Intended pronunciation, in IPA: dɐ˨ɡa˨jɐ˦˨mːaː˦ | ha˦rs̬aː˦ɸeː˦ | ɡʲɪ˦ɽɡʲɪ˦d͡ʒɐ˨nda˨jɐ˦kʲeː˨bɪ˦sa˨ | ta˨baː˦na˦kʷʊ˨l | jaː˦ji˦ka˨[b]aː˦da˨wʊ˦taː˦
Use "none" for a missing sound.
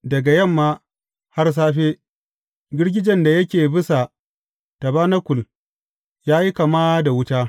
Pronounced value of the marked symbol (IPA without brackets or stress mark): m